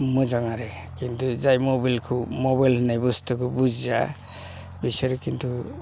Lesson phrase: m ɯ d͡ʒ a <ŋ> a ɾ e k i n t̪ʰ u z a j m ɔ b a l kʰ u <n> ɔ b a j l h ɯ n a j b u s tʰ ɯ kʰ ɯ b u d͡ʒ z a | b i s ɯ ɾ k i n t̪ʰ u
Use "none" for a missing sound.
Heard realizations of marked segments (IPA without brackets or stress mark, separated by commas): ŋ, m